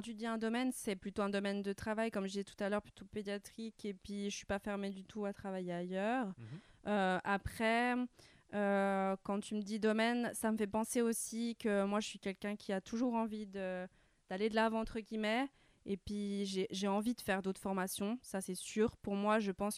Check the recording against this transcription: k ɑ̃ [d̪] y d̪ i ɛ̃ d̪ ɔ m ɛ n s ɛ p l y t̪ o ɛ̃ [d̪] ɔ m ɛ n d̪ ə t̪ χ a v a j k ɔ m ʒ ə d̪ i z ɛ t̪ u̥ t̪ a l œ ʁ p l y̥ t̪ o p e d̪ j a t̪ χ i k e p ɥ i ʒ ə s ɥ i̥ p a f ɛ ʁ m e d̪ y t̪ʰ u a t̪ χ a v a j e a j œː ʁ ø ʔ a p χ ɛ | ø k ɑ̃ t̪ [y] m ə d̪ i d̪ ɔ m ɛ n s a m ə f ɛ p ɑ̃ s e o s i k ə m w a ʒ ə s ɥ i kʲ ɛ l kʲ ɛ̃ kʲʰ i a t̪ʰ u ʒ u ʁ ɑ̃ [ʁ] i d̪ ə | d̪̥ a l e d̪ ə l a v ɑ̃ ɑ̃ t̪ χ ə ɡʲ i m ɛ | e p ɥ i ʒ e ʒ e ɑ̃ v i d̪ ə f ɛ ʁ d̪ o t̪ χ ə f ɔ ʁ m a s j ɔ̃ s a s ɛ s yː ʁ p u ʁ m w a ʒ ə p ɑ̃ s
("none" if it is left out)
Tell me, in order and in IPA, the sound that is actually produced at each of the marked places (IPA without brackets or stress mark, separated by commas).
t̪, d̪, y, v